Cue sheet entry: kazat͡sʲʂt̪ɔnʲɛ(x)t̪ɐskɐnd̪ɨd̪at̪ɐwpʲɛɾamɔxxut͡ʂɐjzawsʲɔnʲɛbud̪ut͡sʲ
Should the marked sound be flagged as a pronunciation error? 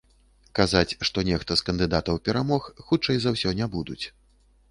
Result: no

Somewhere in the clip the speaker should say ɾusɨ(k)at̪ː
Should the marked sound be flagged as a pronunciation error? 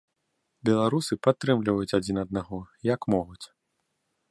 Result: yes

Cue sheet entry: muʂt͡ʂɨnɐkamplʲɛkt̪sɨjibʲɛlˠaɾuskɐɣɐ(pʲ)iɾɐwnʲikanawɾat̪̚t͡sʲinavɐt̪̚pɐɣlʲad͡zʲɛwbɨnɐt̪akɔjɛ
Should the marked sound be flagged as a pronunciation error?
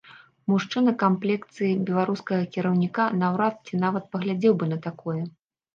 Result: yes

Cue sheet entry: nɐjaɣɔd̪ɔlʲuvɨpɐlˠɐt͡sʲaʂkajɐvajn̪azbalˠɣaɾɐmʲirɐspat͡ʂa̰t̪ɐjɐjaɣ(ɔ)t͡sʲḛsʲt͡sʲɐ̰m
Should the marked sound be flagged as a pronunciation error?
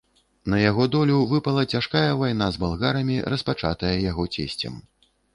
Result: no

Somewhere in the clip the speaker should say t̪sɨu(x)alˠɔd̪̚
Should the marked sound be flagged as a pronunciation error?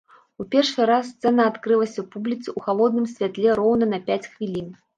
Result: no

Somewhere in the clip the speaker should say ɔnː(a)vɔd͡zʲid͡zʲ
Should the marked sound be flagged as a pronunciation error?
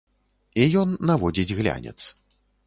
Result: no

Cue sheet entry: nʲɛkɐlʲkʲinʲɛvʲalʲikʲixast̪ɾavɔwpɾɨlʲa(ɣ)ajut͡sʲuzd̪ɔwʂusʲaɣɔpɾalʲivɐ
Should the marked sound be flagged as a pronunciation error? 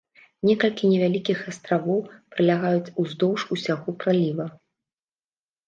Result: no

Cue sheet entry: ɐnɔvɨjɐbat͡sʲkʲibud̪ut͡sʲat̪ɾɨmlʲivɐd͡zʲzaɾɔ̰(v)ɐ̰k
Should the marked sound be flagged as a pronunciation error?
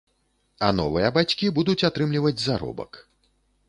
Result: yes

